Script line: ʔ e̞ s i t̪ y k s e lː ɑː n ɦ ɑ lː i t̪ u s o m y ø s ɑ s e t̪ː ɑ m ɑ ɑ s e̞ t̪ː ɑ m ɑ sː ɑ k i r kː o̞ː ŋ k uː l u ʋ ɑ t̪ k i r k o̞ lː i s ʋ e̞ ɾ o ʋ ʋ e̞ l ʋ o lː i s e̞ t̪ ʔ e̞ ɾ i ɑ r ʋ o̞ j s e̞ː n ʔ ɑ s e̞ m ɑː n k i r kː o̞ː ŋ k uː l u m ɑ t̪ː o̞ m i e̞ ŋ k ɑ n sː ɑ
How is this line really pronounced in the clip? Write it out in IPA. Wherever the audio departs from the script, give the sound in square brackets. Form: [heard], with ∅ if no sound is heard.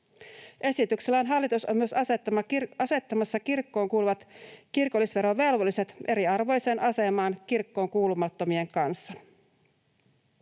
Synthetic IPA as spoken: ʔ e̞ s i t̪ y k s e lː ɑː n ɦ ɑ lː i t̪ u s o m y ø s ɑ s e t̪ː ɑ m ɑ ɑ s e̞ t̪ː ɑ m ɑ sː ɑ k i r kː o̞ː ŋ k uː l u ʋ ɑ t̪ k i r k o̞ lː i s ʋ e̞ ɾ o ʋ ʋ e̞ l ʋ o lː i s e̞ t̪ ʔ e̞ ɾ i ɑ r ʋ o̞ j s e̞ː n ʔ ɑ s e̞ m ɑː n k i r kː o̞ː ŋ k uː l u m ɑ t̪ː o̞ m i e̞ ŋ k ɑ n sː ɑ